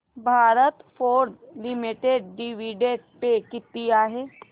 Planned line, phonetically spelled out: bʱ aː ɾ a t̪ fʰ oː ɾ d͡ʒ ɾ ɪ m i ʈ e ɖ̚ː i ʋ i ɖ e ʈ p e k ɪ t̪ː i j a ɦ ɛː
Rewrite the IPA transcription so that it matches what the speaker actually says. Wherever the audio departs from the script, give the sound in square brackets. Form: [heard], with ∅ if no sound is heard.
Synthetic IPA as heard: bʱ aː ɾ [ə] t̪ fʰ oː ɾ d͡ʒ [l] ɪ m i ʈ e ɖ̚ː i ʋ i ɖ e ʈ p e k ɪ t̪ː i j a ɦ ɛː